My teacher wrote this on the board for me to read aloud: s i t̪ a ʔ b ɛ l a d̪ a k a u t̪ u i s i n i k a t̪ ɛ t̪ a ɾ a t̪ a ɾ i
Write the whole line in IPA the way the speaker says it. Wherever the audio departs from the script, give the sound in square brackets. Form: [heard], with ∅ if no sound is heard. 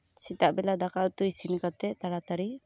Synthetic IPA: s i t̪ a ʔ b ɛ l a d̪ a k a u t̪ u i s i n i k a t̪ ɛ t̪ a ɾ a t̪ a ɾ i